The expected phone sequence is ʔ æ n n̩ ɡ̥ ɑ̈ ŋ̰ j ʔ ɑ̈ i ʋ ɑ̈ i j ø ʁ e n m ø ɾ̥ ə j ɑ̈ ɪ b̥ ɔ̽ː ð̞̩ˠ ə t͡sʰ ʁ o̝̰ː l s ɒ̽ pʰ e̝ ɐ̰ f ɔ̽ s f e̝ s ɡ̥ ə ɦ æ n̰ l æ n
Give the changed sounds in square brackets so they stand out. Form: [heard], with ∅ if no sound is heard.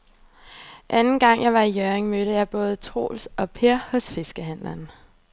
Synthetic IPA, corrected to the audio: ʔ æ n n̩ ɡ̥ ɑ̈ ŋ̰ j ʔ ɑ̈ [ɪ] ʋ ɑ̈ i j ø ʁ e [ŋ] m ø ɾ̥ ə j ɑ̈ ɪ b̥ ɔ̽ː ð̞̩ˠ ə t͡sʰ ʁ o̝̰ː l s ɒ̽ pʰ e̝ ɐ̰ [h] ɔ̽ s f e̝ s ɡ̥ ə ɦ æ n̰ l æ n